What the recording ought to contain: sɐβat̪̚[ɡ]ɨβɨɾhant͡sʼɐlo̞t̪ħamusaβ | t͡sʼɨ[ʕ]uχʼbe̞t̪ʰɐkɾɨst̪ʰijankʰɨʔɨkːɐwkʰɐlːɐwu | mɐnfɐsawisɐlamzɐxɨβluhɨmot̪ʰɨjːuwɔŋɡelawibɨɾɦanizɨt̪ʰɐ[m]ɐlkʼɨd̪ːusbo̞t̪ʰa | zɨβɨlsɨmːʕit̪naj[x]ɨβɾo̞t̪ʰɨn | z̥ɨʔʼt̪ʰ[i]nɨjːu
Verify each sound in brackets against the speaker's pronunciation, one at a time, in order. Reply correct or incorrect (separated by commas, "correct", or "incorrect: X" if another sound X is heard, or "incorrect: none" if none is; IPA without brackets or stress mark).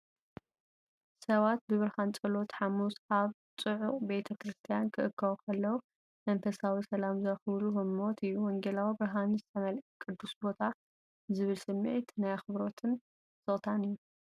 incorrect: b, correct, correct, correct, incorrect: a